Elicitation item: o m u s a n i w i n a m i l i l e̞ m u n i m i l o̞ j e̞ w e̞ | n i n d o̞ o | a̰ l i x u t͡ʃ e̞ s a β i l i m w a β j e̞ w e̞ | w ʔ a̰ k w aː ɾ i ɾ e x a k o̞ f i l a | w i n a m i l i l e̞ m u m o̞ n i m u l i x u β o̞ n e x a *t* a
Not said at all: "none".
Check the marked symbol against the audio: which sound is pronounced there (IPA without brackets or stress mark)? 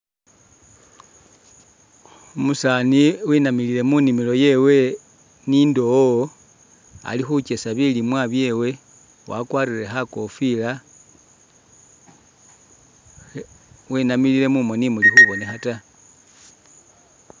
t